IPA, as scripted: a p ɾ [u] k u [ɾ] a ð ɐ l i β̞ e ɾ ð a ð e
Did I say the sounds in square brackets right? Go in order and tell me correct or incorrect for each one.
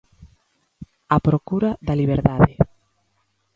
incorrect: o, correct

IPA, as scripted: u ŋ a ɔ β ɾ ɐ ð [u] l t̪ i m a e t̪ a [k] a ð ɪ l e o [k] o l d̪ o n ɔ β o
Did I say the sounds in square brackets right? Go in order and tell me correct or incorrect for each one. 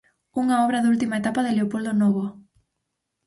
correct, incorrect: p, incorrect: p

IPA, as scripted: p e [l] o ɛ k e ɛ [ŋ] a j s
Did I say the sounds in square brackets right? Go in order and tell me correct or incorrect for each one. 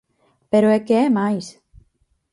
incorrect: ɾ, incorrect: m

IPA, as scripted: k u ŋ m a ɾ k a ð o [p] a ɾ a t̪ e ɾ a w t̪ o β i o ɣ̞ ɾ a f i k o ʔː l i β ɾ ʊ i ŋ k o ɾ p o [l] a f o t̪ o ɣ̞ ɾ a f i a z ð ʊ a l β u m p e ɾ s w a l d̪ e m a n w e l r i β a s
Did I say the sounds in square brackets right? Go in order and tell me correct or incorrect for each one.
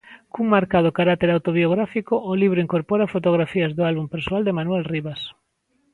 incorrect: k, incorrect: ɾ

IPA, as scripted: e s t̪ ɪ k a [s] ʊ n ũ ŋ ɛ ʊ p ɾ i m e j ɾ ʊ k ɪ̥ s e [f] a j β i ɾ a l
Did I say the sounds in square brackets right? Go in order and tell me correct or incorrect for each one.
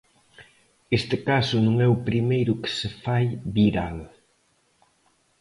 correct, correct

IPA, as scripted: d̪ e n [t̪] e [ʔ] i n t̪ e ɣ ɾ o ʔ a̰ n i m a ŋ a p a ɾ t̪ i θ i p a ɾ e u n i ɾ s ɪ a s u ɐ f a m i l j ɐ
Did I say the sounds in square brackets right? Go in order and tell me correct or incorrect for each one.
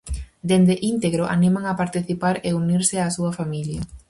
incorrect: d̪, correct

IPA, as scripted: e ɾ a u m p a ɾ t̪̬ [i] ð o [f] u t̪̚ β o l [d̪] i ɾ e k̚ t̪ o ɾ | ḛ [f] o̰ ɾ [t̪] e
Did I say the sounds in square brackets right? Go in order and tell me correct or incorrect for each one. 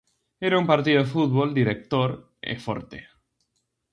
correct, correct, correct, correct, correct

